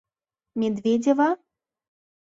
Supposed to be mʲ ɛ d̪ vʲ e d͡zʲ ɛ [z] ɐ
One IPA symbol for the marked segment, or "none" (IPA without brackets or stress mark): v